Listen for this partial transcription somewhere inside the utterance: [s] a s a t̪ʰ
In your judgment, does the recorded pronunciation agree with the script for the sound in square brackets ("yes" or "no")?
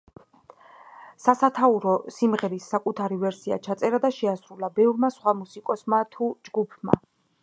yes